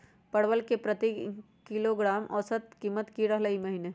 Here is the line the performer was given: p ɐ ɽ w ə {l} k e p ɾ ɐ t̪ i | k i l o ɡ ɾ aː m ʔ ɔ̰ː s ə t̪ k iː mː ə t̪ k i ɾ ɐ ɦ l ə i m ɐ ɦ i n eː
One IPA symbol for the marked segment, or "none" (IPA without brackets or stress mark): l